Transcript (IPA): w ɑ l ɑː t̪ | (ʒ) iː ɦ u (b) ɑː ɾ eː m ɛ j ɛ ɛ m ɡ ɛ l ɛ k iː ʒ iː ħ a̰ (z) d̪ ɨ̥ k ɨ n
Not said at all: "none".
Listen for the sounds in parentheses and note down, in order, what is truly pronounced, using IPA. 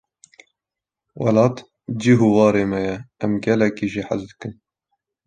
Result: d͡ʒ, w, z

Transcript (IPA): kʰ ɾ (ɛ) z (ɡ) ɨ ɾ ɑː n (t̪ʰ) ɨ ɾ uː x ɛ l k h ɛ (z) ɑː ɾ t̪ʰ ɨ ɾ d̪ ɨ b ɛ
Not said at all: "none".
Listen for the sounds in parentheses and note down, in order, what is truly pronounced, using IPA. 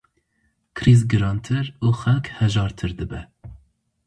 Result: i, ɡ, t̪ʰ, ʒ

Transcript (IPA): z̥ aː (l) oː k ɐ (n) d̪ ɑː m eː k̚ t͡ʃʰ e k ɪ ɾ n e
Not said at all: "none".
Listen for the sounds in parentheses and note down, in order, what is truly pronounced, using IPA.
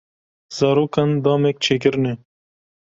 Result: ɾ, n

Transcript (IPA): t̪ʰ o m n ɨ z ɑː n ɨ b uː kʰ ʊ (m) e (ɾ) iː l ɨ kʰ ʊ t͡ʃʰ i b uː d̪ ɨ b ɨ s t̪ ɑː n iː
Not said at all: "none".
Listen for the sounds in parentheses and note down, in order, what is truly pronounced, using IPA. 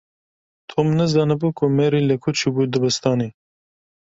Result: m, ɾ

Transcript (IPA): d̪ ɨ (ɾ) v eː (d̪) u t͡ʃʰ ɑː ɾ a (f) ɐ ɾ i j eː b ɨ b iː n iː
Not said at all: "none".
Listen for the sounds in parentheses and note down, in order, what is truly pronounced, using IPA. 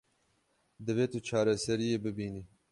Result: none, t̪, s

